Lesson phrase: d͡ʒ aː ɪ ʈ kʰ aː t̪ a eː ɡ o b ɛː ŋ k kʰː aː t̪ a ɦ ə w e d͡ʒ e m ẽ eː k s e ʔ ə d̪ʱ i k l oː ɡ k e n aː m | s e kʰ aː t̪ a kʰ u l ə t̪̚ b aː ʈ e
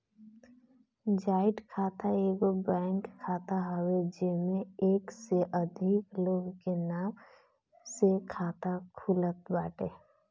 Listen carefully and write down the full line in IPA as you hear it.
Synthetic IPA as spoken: d͡ʒ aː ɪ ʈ kʰ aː t̪ a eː ɡ o b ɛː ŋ k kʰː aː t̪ a ɦ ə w e d͡ʒ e m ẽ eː k s e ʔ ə d̪ʱ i k l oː ɡ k e n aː m | s e kʰ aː t̪ a kʰ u l ə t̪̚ b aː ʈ e